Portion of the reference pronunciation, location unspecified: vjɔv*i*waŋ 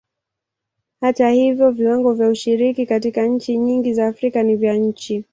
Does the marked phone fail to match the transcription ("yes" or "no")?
no